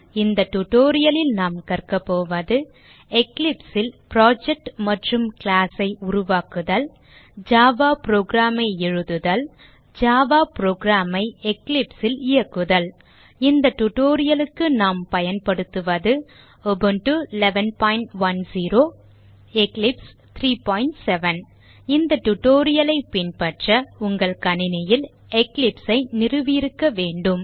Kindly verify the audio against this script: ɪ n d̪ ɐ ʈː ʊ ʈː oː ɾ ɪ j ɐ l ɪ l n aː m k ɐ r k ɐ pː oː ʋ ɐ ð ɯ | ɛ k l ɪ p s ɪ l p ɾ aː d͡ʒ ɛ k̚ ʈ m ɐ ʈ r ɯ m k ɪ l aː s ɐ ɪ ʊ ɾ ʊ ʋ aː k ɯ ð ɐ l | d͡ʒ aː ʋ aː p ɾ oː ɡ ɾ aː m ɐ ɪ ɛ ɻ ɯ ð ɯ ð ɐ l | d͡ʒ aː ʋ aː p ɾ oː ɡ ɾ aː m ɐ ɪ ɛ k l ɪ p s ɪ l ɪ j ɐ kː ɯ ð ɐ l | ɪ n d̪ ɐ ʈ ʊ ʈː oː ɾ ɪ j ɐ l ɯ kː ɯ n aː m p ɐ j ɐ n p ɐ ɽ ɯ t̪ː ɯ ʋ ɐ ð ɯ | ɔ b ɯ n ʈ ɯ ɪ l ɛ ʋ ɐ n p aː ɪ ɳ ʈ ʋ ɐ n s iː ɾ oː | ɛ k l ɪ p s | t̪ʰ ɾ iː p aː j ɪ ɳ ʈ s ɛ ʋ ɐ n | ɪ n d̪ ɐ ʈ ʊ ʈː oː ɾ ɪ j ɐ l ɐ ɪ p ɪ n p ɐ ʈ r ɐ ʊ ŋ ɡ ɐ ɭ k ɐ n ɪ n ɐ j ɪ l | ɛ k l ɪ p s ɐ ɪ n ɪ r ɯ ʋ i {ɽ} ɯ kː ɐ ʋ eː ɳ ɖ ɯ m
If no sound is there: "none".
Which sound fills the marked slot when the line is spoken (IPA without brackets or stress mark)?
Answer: ɾ